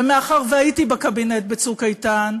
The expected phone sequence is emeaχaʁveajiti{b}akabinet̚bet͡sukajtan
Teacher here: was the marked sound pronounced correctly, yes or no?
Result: yes